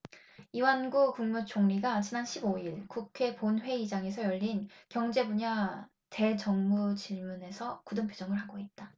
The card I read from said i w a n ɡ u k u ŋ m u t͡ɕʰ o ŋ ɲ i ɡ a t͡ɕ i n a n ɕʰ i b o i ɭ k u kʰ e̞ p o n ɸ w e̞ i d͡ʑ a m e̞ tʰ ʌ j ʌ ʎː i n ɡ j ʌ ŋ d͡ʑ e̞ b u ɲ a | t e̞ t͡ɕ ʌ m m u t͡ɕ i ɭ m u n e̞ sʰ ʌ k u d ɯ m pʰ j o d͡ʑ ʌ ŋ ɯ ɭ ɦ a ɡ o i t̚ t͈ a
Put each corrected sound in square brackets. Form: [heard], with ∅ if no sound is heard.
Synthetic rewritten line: i w a n ɡ u k u ŋ m u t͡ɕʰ o ŋ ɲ i ɡ a t͡ɕ i n a n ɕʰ i b o i ɭ k u kʰ e̞ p o n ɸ w e̞ i d͡ʑ a [ŋ] e̞ [sʰ] ʌ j ʌ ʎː i n [k] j ʌ ŋ d͡ʑ e̞ b u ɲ a | t e̞ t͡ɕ ʌ [ŋ] m u t͡ɕ i ɭ m u n e̞ sʰ ʌ k u d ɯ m pʰ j o d͡ʑ ʌ ŋ ɯ ɭ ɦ a ɡ o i t̚ t͈ a